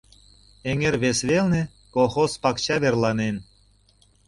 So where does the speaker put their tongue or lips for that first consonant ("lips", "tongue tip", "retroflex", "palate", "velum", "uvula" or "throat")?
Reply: velum